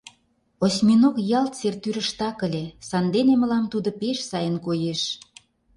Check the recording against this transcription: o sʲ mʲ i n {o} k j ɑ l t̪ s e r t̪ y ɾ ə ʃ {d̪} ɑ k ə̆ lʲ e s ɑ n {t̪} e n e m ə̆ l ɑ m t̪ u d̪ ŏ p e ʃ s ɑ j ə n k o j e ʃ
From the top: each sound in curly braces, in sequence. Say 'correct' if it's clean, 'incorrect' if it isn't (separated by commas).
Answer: correct, incorrect, incorrect